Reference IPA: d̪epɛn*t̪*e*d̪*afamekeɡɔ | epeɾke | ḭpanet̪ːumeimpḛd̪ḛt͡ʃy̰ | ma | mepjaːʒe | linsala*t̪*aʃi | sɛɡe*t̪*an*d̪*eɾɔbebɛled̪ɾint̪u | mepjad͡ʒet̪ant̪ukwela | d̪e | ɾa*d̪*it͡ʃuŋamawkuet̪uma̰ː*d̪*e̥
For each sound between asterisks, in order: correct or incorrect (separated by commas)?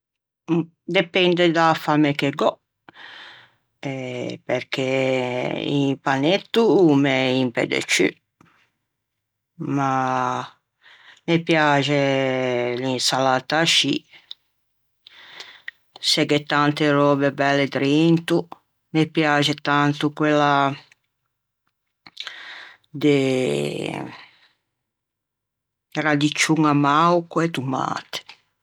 incorrect, correct, correct, correct, incorrect, correct, incorrect